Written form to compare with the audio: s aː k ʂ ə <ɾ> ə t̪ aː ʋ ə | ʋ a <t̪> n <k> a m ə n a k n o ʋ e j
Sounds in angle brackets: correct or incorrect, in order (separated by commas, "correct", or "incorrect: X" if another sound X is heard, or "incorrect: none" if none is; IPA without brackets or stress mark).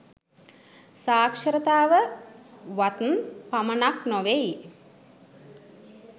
correct, correct, incorrect: p